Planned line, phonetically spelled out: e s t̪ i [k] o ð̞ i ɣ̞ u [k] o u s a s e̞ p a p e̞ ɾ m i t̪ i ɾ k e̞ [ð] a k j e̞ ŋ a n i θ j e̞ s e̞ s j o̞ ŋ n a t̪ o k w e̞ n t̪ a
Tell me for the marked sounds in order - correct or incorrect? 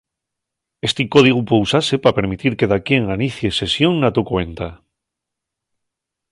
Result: correct, incorrect, correct

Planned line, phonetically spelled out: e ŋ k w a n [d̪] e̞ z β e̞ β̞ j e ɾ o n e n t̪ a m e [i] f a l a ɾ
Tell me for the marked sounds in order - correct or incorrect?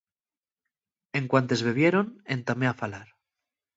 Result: incorrect, incorrect

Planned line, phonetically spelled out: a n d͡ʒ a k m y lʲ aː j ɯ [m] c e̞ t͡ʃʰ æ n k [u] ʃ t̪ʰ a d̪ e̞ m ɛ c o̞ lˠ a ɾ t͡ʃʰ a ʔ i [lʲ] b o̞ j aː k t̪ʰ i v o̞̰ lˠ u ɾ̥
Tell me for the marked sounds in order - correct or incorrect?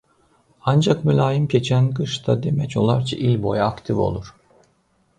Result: correct, incorrect, correct

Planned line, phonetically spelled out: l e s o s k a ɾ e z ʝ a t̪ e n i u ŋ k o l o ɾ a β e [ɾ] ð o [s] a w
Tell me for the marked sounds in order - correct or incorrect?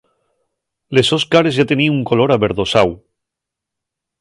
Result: correct, correct

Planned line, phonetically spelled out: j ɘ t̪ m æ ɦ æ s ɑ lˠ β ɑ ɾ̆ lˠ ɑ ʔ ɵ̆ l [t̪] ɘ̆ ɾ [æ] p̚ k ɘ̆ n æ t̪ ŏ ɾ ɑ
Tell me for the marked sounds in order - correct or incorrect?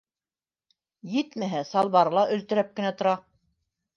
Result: correct, correct

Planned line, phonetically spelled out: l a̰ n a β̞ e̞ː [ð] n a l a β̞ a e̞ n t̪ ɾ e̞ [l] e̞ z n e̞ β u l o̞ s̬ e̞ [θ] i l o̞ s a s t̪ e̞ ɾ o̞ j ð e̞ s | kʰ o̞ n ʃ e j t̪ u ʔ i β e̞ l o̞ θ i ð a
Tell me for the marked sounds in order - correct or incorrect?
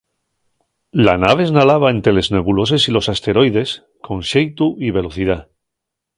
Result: incorrect, correct, incorrect

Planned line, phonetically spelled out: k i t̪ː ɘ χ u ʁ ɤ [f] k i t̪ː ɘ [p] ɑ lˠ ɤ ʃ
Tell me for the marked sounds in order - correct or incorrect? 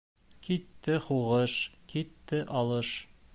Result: incorrect, incorrect

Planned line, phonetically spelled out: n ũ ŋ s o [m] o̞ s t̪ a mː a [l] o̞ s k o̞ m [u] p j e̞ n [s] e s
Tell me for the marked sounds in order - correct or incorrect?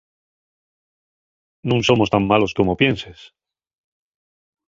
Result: correct, correct, incorrect, correct

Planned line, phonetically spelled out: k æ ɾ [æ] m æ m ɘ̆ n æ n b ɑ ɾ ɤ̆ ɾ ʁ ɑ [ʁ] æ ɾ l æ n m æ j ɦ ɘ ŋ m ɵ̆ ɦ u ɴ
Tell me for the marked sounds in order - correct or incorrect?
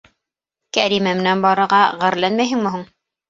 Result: incorrect, correct

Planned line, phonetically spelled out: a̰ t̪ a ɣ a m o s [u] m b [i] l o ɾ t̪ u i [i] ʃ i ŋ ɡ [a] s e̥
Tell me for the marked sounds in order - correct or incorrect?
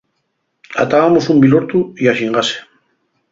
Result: correct, correct, incorrect, correct

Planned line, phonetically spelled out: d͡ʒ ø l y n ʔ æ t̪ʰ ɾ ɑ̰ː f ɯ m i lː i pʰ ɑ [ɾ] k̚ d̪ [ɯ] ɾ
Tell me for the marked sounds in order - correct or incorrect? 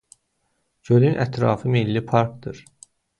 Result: correct, correct

